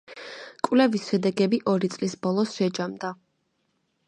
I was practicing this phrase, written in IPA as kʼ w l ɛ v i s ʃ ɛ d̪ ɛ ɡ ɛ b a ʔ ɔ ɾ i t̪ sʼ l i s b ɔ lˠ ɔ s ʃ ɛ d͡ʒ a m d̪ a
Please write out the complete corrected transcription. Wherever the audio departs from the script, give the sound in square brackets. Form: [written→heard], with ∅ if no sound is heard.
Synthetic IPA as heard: kʼ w l ɛ v i s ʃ ɛ d̪ ɛ ɡ ɛ b [a→i] ʔ ɔ ɾ i t̪ sʼ l i s b ɔ lˠ ɔ s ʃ ɛ d͡ʒ a m d̪ a